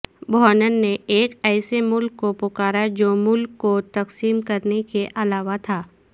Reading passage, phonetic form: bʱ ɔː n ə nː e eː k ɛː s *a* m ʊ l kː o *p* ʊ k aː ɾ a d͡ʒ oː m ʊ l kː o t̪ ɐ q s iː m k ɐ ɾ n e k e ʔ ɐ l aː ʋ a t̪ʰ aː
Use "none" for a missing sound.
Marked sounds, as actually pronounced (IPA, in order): e, p

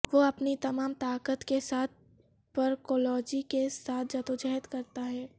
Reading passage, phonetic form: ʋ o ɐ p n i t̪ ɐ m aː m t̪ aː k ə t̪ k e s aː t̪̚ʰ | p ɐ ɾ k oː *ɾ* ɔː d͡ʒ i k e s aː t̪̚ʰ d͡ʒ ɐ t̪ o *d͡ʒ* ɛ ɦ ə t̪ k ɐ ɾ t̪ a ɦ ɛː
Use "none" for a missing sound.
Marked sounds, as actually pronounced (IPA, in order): l, d͡ʒ

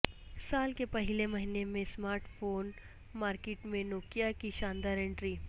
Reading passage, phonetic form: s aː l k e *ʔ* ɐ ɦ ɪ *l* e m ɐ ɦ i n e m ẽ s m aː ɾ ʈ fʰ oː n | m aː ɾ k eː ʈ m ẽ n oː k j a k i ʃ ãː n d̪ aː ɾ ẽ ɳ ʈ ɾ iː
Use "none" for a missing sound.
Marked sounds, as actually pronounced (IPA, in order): p, l

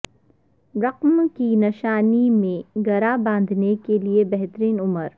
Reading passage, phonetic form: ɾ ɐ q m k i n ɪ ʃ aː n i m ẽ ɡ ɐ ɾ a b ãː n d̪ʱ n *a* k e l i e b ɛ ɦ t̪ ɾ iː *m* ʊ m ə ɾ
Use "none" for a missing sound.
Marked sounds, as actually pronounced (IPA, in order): e, n

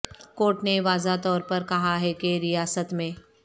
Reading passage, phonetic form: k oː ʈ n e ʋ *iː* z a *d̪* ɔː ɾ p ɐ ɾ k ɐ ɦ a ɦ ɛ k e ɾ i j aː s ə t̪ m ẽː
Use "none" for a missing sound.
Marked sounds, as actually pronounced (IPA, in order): aː, t̪

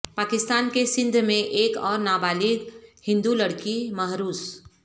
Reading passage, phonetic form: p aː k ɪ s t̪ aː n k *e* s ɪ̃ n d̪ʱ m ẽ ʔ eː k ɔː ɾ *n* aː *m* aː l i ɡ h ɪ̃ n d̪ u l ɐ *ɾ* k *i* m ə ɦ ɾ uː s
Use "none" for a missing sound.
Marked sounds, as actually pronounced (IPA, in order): e, n, b, ɽ, i

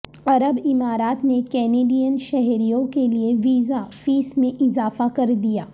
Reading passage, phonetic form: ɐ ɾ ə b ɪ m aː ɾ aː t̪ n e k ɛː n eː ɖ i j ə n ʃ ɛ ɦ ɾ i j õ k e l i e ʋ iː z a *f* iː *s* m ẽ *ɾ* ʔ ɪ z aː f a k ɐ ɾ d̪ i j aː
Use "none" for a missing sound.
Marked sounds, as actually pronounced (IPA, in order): f, s, none

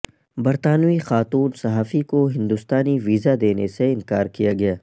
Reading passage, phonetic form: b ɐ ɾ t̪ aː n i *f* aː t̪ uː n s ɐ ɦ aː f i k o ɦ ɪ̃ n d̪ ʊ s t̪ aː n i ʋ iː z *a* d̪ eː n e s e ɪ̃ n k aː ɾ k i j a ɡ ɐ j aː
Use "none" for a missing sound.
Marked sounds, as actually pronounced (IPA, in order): x, a

